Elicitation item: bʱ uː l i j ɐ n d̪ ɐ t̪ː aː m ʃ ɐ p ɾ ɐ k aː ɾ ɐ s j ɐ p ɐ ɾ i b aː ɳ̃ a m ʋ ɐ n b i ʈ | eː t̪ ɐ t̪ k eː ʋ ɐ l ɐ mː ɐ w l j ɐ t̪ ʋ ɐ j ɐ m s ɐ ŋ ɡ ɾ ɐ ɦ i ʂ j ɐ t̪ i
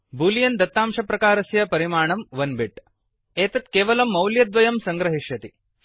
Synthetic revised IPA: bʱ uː l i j ɐ n d̪ ɐ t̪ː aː m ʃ ɐ p ɾ ɐ k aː ɾ ɐ s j ɐ p ɐ ɾ i m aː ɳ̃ ɐ m ʋ ɐ n b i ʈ | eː t̪ ɐ t̪ k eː ʋ ɐ l ɐ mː ɐ w l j ɐ d̪ ʋ ɐ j ɐ m s ɐ ŋ ɡ ɾ ɐ ɦ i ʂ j ɐ t̪ i